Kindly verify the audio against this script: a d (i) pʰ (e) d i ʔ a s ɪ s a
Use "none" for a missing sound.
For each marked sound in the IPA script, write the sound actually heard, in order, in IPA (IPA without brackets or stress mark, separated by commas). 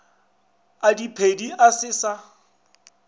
i, e